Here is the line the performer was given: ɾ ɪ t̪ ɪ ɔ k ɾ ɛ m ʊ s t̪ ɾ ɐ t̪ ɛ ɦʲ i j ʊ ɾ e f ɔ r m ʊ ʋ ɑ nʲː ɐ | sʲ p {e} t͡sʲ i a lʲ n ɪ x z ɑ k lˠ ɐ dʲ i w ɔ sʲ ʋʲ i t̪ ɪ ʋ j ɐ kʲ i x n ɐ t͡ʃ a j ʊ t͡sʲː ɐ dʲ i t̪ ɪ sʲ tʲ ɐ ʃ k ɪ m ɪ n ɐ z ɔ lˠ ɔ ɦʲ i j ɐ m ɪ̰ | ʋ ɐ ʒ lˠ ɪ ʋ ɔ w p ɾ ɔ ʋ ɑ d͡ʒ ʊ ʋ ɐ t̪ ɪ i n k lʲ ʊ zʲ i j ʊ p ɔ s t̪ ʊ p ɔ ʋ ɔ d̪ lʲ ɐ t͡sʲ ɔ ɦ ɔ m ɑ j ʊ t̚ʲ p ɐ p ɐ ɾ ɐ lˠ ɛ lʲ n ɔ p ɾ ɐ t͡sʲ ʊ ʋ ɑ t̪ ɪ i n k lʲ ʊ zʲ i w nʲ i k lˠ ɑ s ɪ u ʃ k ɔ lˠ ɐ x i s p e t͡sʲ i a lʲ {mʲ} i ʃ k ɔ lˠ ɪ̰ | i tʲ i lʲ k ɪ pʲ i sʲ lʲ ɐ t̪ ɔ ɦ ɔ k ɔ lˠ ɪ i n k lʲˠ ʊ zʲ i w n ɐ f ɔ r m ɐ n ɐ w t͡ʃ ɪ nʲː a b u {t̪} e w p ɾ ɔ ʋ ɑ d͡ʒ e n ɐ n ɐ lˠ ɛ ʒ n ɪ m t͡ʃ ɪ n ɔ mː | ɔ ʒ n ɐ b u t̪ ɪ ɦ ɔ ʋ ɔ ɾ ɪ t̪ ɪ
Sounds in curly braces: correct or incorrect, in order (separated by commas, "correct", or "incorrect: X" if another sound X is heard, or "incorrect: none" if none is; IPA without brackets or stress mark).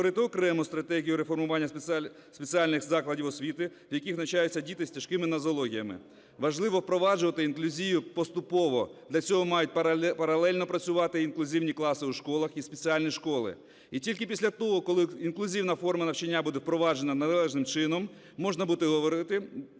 correct, incorrect: nʲ, incorrect: d̪